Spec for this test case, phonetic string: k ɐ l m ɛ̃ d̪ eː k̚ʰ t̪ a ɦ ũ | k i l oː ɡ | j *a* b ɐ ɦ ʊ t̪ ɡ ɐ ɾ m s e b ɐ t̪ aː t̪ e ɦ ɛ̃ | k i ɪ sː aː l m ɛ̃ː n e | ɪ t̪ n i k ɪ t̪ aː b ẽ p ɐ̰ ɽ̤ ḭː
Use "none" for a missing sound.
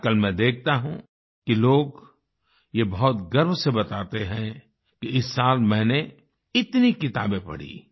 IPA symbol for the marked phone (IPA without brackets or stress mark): e